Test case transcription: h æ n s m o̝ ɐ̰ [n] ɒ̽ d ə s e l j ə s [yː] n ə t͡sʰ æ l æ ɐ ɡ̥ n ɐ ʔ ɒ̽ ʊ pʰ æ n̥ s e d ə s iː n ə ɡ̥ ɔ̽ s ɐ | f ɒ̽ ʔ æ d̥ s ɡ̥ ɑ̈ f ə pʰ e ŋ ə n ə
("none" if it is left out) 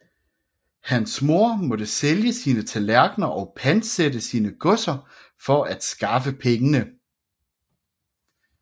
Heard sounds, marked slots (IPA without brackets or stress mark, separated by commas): m, iː